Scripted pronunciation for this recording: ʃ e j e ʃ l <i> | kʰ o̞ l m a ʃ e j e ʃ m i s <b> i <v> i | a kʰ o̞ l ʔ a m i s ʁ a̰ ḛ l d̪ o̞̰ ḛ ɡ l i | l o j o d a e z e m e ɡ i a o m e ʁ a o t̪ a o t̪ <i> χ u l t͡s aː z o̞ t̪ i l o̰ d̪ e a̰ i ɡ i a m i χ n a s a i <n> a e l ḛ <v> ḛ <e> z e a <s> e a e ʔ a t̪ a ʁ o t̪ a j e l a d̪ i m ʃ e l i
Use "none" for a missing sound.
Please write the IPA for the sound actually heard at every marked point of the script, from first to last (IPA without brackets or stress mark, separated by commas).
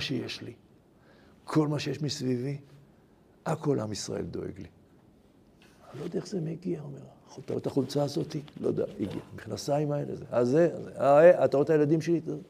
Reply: i, v, v, a, m, z, a, z